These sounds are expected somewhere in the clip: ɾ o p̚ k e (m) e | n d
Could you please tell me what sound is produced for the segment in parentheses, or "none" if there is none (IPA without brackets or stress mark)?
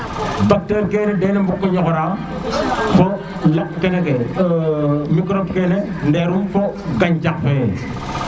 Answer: n